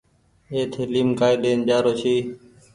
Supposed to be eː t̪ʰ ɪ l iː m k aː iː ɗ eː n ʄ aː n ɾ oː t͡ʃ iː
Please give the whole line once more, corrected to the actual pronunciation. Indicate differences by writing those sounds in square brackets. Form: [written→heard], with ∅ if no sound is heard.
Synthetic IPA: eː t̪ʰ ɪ l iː m k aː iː ɗ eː n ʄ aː [n→∅] ɾ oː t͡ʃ iː